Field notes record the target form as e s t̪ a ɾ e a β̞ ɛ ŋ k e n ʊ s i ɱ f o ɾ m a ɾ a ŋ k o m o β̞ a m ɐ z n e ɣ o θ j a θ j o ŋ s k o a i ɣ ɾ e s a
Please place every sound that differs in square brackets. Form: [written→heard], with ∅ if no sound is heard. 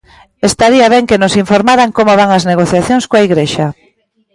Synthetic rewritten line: e s t̪ a ɾ [e→i] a β̞ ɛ ŋ k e n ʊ s i ɱ f o ɾ m a ɾ a ŋ k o m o β̞ a [m→ŋ] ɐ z n e ɣ o θ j a θ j o ŋ s k o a i ɣ ɾ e [s→ʃ] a